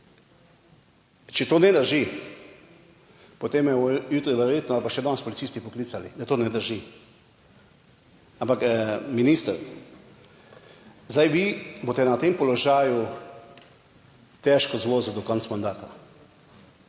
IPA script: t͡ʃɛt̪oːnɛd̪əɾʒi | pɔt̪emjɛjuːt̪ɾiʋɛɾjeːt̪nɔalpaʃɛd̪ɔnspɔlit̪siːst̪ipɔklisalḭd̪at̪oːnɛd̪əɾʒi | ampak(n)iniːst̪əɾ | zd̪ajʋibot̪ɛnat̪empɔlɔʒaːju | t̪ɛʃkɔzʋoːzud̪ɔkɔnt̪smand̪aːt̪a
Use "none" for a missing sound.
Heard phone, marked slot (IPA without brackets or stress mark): m